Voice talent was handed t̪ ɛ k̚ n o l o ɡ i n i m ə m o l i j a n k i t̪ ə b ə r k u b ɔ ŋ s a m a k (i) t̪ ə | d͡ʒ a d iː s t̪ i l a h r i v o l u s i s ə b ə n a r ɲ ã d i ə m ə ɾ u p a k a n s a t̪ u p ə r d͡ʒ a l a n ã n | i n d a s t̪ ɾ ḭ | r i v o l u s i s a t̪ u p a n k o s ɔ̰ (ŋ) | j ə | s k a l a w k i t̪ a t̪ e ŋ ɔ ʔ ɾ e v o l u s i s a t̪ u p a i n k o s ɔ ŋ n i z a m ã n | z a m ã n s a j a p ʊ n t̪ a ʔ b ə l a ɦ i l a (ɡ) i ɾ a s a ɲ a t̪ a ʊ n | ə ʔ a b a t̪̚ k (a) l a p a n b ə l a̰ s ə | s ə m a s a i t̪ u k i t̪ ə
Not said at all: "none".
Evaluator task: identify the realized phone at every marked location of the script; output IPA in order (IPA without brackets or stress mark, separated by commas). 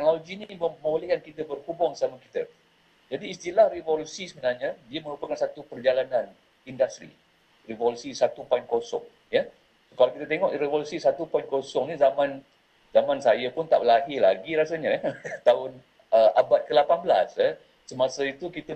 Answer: i, ŋ, ɡ, ə